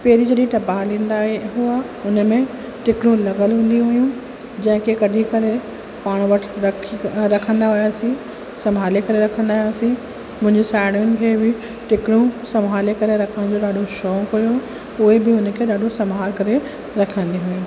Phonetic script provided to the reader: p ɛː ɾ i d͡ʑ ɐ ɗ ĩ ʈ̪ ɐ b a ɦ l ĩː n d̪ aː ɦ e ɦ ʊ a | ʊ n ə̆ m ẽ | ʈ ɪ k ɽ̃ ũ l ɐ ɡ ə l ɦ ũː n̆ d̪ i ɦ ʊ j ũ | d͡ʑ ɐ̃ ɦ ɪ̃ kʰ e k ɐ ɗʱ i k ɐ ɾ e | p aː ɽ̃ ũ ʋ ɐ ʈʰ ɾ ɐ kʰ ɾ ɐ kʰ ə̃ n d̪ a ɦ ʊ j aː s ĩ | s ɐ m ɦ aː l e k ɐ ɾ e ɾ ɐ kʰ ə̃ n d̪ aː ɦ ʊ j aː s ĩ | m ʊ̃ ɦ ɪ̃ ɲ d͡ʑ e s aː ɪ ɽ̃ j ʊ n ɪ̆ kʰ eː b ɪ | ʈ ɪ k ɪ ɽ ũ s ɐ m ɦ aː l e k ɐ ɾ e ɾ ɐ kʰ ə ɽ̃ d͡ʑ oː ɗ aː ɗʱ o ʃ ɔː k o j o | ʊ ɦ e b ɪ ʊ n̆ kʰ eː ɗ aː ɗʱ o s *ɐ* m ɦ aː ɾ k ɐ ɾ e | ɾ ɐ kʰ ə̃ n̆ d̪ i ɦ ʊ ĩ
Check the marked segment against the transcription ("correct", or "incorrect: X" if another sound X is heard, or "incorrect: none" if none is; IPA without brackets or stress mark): correct